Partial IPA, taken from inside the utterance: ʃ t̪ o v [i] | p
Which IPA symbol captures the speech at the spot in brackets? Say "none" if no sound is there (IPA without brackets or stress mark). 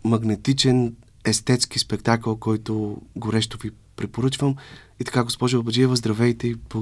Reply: i